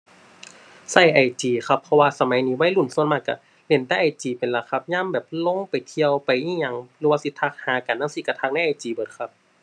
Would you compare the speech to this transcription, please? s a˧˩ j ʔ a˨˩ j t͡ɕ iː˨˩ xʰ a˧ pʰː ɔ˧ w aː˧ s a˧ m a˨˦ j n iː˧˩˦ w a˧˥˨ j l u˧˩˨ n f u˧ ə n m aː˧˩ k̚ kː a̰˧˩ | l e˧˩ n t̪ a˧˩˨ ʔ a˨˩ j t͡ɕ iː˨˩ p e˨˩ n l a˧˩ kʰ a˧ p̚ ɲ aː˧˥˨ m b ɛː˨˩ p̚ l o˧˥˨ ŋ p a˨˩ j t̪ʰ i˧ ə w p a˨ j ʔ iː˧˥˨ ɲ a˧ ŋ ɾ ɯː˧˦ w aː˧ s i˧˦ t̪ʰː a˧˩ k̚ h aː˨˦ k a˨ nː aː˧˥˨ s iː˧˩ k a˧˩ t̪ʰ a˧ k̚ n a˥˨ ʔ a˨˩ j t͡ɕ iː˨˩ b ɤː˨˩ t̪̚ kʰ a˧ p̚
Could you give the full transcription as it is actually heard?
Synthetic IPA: s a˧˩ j ʔ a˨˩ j t͡ɕ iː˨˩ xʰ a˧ pʰː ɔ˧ w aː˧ s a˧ m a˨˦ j n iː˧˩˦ w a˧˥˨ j l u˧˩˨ n s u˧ ə n m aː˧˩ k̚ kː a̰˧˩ | l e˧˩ n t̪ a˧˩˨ ʔ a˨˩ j t͡ɕ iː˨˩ p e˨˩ n l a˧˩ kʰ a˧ p̚ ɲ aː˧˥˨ m b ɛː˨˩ p̚ l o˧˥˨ ŋ p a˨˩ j t̪ʰ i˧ ə w p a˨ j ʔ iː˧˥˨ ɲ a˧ ŋ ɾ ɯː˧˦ w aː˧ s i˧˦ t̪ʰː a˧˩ k̚ h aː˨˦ k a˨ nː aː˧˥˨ s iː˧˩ k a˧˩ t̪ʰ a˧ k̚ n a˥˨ ʔ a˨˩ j t͡ɕ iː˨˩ b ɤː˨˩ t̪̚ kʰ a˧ p̚

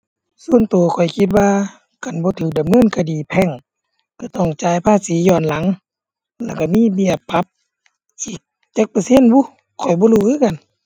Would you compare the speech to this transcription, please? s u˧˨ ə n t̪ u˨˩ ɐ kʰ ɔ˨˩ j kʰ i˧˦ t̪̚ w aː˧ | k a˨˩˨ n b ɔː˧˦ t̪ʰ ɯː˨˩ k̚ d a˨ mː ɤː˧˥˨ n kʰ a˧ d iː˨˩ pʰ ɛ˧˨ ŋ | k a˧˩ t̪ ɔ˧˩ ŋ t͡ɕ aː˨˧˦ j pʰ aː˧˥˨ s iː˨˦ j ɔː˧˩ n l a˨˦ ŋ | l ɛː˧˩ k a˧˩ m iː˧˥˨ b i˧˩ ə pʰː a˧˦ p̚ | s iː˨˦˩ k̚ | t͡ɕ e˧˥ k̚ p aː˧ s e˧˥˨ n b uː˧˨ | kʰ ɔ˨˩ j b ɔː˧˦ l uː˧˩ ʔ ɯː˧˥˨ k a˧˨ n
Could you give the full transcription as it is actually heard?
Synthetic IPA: s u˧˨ ə n t̪ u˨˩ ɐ kʰ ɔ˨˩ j kʰ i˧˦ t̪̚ w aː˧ | k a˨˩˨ n b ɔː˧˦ t̪ʰ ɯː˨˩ k̚ d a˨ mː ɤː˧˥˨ n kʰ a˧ d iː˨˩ pʰ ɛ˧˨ ŋ | k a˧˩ t̪ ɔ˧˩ ŋ t͡ɕ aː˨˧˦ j pʰ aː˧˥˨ s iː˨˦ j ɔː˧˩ n l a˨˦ ŋ | l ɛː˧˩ k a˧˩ m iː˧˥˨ b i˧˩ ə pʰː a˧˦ p̚ | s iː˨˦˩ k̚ | t͡ɕ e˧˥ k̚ p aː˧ s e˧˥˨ n b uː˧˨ | kʰ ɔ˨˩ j b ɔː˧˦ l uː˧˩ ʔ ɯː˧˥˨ k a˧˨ n

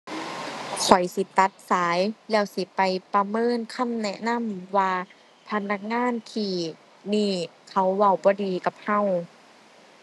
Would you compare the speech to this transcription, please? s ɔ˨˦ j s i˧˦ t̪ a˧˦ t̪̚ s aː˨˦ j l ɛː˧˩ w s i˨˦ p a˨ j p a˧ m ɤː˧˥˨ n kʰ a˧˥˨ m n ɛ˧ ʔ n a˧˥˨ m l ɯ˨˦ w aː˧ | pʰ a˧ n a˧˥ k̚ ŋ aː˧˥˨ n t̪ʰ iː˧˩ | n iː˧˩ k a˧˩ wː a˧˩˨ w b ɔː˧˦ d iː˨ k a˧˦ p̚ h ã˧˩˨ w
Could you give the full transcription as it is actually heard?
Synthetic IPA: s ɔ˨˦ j s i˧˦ t̪ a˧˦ t̪̚ s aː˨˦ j l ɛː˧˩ w s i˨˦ p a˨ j p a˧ m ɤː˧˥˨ n kʰ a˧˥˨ m n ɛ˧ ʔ n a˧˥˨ m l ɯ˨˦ w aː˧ | pʰ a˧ n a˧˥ k̚ ŋ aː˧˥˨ n t̪ʰ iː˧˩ | n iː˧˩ kʰ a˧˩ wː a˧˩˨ w b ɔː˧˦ d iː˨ k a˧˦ p̚ h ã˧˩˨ w

